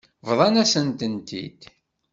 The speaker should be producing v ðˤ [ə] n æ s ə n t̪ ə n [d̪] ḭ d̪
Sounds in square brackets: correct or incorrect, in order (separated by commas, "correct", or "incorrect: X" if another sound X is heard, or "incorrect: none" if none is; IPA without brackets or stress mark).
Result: incorrect: ɑ, incorrect: t̪